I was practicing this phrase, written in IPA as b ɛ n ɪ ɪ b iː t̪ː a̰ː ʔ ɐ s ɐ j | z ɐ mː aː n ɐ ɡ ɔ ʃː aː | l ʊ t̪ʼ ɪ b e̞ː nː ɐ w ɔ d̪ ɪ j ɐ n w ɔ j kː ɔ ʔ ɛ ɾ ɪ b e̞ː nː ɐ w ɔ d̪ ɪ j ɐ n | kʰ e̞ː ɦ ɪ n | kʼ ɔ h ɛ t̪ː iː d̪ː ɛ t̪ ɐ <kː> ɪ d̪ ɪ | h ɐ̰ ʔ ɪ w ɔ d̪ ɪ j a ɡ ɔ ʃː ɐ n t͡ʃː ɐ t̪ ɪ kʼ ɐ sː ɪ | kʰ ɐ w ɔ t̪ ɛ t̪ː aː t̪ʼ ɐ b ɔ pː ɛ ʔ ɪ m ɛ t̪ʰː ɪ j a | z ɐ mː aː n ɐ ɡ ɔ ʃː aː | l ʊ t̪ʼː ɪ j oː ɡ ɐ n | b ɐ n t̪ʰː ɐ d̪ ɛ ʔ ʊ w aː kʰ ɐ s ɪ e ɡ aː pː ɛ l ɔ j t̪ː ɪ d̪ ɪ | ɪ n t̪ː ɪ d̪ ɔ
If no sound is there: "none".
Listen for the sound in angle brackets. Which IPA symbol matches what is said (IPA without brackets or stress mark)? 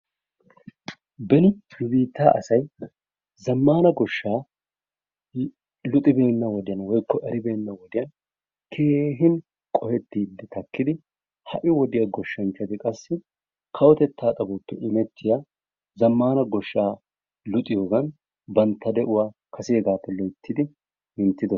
kː